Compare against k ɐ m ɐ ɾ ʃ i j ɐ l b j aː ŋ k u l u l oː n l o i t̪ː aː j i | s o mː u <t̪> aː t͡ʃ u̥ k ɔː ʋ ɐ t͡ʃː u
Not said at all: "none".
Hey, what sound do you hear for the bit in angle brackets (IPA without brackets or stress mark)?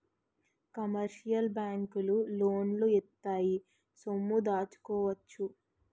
d̪